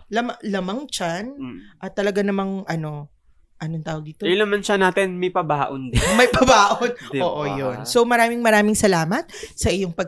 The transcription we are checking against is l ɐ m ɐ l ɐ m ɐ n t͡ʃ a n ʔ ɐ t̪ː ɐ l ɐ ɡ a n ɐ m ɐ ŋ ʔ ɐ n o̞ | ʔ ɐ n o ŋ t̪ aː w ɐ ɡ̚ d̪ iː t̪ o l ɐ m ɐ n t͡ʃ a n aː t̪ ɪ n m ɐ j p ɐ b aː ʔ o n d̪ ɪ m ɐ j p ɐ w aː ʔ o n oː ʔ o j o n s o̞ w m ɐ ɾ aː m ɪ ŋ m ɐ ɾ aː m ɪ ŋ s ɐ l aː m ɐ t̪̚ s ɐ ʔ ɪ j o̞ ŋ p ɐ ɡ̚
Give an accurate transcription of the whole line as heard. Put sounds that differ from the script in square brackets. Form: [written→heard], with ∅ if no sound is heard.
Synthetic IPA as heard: l ɐ m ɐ l ɐ m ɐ [n→ŋ] t͡ʃ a n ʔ ɐ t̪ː ɐ l ɐ ɡ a n ɐ m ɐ ŋ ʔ ɐ n o̞ | ʔ ɐ n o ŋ t̪ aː w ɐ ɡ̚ d̪ iː t̪ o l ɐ m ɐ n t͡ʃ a n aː t̪ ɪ n m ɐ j p ɐ b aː ʔ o n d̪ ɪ m ɐ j p ɐ [w→b] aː ʔ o n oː ʔ o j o n s o̞ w m ɐ ɾ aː m ɪ ŋ m ɐ ɾ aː m ɪ ŋ s ɐ l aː m ɐ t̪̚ s ɐ ʔ ɪ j o̞ ŋ p ɐ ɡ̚